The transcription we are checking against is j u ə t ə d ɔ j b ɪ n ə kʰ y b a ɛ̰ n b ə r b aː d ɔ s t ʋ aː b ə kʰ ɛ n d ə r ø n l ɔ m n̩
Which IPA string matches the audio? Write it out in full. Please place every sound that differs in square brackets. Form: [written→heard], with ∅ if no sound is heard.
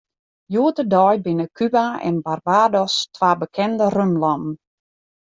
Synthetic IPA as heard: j u ə t ə d ɔ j b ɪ n ə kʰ y b a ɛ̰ n b [ə→a] r b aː d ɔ s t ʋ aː b ə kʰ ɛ n d ə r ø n l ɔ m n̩